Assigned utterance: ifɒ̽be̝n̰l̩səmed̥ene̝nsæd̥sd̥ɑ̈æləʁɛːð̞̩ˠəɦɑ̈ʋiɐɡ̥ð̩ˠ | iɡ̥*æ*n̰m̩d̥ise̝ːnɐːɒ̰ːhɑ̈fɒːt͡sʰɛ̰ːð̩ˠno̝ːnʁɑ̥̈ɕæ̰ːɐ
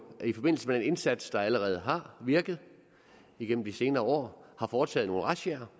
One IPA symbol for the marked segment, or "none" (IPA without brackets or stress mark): e